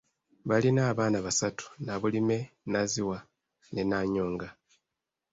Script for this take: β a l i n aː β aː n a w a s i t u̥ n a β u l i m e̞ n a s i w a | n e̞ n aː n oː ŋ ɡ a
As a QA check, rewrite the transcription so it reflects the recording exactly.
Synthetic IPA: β a l i n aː β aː n a β a s a t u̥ n a β u l i m e̞ n a z i w a | n e̞ n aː ɲ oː ŋ ɡ a